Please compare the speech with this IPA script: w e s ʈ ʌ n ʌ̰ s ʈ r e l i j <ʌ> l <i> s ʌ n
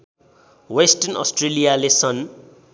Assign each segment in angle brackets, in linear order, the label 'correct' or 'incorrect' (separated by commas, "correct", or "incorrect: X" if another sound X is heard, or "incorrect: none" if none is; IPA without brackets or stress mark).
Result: incorrect: a, incorrect: e